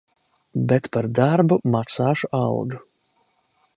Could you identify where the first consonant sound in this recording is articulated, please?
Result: labial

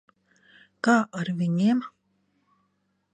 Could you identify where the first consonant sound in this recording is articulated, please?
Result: velar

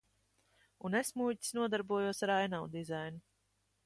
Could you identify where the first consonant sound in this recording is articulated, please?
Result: alveolar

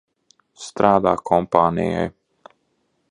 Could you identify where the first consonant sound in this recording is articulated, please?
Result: alveolar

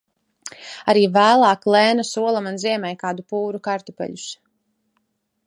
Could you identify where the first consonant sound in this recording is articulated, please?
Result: alveolar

